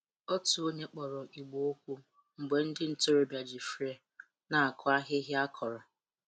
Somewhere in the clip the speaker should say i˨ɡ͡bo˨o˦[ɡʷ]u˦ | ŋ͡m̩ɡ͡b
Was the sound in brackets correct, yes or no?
no